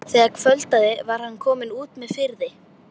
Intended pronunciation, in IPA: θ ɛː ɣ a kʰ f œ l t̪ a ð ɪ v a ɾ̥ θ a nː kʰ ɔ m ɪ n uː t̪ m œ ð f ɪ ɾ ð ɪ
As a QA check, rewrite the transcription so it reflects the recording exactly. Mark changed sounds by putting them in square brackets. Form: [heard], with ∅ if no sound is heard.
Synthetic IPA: θ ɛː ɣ a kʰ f œ l t̪ a ð ɪ v a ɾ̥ [h] a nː kʰ [ɔː] m ɪ n uː t̪ m [ɛ] ð f ɪ ɾ ð ɪ